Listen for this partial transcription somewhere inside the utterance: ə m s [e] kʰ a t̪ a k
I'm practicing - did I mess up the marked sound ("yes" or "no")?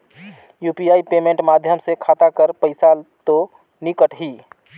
no